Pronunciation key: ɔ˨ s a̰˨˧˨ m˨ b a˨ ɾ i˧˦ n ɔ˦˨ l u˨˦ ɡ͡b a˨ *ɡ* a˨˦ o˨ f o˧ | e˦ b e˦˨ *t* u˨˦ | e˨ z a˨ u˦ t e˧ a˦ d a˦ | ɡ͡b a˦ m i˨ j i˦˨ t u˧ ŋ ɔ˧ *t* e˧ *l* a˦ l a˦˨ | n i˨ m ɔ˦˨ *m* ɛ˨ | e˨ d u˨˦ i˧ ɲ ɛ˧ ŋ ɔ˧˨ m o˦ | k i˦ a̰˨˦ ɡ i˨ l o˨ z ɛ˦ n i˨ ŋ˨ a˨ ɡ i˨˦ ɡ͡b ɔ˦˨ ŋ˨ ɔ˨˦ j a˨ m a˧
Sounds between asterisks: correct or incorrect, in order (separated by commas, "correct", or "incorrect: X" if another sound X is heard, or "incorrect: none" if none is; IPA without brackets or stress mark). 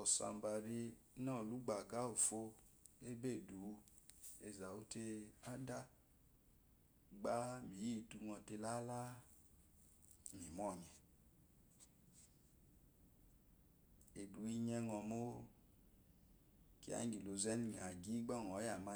correct, incorrect: d, correct, correct, incorrect: ɲ